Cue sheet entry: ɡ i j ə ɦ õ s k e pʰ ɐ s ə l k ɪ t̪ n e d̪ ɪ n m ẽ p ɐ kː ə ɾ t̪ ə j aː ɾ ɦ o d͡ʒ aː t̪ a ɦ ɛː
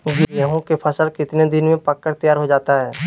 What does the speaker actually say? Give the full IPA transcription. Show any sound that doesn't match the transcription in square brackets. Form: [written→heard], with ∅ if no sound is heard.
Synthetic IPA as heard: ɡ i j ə ɦ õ [s→∅] k e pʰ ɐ s ə l k ɪ t̪ n e d̪ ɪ n m ẽ p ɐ kː ə ɾ t̪ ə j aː ɾ ɦ o d͡ʒ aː t̪ a ɦ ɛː

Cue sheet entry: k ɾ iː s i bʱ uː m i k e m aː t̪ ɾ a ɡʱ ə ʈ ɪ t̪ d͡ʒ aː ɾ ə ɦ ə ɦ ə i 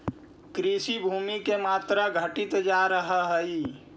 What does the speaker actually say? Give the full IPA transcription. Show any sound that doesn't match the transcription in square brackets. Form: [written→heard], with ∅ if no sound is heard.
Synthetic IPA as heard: k ɾ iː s i bʱ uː m i k e m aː t̪ ɾ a ɡʱ ə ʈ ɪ t̪ d͡ʒ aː ɾ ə ɦ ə ɦ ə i

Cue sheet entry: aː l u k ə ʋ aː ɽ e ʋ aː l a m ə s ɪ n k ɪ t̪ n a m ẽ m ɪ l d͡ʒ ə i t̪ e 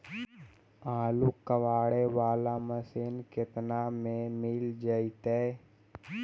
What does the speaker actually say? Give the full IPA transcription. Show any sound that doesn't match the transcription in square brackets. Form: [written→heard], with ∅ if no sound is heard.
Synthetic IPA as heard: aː l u k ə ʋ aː ɽ e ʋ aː l a m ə s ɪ n k ɪ t̪ n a m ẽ m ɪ l d͡ʒ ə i t̪ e

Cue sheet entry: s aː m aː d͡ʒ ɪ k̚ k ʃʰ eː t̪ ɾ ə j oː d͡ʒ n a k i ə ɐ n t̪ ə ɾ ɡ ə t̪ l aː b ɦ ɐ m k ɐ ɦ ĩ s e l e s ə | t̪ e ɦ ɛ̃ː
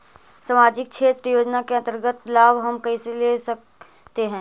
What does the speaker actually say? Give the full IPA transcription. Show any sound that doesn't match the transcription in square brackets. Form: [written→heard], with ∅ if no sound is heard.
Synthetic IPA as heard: s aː m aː d͡ʒ ɪ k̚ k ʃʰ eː t̪ ɾ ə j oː d͡ʒ n a k [i→e] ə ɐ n t̪ ə ɾ ɡ ə t̪ l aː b ɦ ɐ m k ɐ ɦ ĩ s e l e s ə | t̪ e ɦ ɛ̃ː

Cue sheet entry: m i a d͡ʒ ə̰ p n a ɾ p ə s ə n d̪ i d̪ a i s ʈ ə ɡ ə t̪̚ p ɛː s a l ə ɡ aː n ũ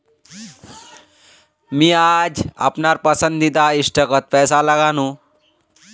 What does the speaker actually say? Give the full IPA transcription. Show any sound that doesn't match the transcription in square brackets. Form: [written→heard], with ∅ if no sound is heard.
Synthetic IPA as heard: m i a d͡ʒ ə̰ p n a ɾ p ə s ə n d̪ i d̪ a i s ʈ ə [ɡ→k] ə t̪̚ p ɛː s a l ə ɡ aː n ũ

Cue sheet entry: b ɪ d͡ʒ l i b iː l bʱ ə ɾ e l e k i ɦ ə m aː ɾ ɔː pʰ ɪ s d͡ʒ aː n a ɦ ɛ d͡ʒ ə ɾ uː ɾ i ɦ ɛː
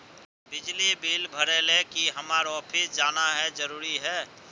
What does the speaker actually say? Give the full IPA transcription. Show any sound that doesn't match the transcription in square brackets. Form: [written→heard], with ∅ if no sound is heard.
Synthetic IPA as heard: b ɪ d͡ʒ l i b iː l bʱ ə ɾ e l e k i ɦ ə m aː ɾ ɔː pʰ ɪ s d͡ʒ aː n a ɦ ɛ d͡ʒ ə ɾ uː ɾ i ɦ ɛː

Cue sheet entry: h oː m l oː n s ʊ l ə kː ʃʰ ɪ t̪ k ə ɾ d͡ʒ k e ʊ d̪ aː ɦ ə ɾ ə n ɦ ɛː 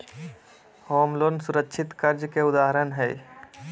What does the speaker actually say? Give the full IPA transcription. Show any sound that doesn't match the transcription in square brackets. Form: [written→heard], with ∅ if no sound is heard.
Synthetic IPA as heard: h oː m l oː n s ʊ [l→ɾ] ə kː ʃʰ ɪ t̪ k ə ɾ d͡ʒ k e ʊ d̪ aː ɦ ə ɾ ə n ɦ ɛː

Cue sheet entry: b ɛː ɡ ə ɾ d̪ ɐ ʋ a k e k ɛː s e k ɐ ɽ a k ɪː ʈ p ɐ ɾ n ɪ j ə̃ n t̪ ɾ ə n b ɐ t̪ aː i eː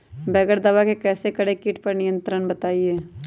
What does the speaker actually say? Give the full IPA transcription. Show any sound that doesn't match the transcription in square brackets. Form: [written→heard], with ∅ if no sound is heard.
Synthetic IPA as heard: b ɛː ɡ ə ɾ d̪ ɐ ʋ a k e k ɛː s e k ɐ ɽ [a→e] k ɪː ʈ p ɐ ɾ n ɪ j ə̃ n t̪ ɾ ə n b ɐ t̪ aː i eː

